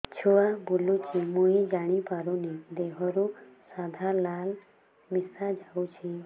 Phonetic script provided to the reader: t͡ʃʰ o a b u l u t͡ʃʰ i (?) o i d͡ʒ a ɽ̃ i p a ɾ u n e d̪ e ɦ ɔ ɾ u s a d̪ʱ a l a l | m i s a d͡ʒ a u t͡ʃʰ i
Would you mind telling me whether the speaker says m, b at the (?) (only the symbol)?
m